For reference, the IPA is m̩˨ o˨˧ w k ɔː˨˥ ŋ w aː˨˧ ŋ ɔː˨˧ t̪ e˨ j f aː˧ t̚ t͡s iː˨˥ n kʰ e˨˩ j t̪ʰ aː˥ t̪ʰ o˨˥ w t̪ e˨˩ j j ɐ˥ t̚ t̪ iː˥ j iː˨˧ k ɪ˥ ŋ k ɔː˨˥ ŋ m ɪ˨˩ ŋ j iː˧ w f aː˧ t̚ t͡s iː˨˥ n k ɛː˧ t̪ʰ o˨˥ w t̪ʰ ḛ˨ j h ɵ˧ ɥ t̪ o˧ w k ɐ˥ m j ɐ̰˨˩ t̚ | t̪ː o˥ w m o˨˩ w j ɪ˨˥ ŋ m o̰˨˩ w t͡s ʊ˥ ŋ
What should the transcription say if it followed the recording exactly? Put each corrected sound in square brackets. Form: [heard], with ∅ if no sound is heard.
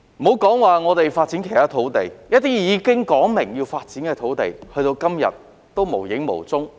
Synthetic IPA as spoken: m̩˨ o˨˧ w k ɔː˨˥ ŋ w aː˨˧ ŋ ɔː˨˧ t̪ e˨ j f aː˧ t̚ t͡s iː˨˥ n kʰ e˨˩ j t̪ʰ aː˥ t̪ʰ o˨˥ w t̪ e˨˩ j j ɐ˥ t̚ t̪ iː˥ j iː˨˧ k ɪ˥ ŋ k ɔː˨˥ ŋ m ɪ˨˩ ŋ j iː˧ w f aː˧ t̚ t͡s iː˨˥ n k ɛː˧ t̪ʰ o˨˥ w [t̪] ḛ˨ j h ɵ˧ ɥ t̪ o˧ w k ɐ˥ m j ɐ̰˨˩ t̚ | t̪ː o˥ w m o˨˩ w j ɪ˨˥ ŋ m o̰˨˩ w t͡s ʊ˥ ŋ